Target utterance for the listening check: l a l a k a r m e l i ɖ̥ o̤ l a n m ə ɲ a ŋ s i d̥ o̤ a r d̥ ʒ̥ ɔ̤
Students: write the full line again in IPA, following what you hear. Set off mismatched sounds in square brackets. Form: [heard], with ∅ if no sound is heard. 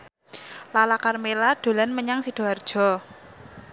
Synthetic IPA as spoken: l a l a k a r m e l [a] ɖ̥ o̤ l a n m ə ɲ a ŋ s i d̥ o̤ a r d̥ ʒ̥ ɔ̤